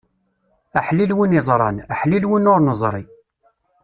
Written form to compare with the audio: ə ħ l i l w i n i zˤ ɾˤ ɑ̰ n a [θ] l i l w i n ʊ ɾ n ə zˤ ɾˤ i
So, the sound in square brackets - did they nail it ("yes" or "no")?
no